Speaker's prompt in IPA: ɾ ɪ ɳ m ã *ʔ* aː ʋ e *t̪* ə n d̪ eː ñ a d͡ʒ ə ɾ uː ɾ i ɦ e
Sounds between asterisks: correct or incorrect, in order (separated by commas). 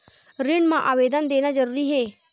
correct, incorrect